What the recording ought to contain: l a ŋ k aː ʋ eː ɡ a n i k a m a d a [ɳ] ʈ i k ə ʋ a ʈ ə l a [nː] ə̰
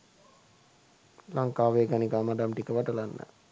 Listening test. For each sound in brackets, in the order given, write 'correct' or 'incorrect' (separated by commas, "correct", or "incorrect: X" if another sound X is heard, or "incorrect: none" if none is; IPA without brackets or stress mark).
incorrect: m, correct